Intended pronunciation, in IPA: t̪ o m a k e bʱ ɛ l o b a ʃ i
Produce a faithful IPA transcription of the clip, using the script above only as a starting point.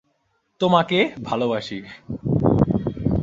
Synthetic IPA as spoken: t̪ o m a k e bʱ a l o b a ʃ i

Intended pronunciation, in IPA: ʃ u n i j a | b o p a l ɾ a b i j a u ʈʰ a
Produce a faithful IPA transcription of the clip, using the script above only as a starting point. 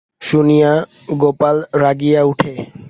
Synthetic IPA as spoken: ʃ u n i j a | ɡ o p a l ɾ a ɡ i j a u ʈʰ e

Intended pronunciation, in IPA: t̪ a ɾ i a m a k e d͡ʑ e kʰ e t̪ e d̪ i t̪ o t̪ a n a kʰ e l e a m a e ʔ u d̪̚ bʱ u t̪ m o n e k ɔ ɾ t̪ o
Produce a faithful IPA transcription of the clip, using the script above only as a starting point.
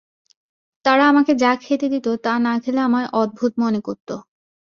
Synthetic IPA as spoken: t̪ a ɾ a a m a k e d͡ʑ a kʰ e t̪ e d̪ i t̪ o t̪ a n a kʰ e l e a m a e ʔ ɔ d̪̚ bʱ u t̪ m o n e k o ɾ t̪ o

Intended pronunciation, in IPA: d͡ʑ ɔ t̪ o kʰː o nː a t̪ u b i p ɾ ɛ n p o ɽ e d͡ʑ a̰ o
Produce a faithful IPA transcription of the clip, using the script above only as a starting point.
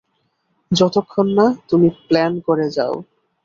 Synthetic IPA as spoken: d͡ʑ ɔ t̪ o kʰː o nː a t̪ u m i p l ɛ n k o ɾ e d͡ʑ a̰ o

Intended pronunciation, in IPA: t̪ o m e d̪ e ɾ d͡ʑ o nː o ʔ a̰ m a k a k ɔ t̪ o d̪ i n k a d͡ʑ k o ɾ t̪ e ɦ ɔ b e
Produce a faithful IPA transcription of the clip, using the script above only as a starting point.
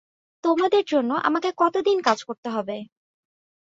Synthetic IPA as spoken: t̪ o m a d̪ e ɾ d͡ʑ o nː o ʔ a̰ m a k e k ɔ t̪ o d̪ i n k a d͡ʑ k o ɾ t̪ e ɦ ɔ b e

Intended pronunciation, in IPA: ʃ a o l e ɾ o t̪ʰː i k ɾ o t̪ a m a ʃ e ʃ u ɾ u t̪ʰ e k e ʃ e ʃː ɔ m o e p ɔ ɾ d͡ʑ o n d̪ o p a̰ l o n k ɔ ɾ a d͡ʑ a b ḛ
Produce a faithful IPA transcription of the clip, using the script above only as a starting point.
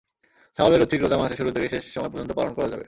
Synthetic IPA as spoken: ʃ a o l e ɾ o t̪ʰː i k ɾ o t̪ a m a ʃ e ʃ u ɾ u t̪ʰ e k e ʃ e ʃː ɔ m ɔ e p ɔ ɾ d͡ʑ o n t̪ o p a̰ l o n k ɔ ɾ a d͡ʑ a b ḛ

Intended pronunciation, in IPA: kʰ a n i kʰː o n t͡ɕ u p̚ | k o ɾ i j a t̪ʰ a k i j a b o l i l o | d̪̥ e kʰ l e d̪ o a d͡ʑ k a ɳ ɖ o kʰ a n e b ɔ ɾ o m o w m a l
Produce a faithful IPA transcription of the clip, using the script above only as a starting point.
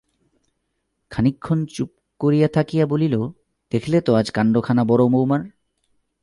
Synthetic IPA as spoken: kʰ a n i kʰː o n t͡ɕ u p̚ | k o ɾ i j a t̪ʰ a k i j a b o l i l o | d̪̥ e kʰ l e t̪ o a d͡ʑ k a ɳ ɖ o kʰ a n a b ɔ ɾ o m o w m a ɾ

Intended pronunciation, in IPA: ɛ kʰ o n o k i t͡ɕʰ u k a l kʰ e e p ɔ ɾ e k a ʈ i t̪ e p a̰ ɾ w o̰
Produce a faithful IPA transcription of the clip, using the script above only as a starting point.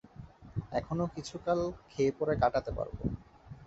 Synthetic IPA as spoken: ɛ kʰ o n o k i t͡ɕʰ u k a l kʰ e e p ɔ ɾ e k a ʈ a t̪ e p a̰ ɾ b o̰

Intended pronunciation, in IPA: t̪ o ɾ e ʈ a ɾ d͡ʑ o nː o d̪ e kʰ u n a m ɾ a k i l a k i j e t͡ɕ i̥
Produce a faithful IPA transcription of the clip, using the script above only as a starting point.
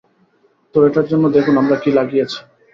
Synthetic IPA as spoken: t̪ o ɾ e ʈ a ɾ d͡ʑ o nː o d̪ e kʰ u n a m ɾ a k i l a ɡ i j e t͡ɕʰ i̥

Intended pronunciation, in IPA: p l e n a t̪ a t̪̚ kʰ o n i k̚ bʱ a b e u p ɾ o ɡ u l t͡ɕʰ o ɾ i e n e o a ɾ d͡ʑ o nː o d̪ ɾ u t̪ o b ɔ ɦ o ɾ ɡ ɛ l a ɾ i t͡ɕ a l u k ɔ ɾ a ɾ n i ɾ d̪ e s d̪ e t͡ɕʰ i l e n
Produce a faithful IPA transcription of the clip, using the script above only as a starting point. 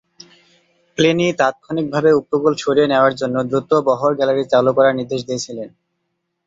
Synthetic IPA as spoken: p l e n i t̪ a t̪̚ kʰ o n i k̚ bʱ a b e u p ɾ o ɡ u l t͡ɕʰ o ɾ i e n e o a ɾ d͡ʑ o nː o d̪ ɾ u t̪ o b ɔ ɦ o ɾ ɡ ɛ l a ɾ i t͡ɕ a l u k ɔ ɾ a ɾ n i ɾ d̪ e ʃ d̪ e t͡ɕʰ i l e n

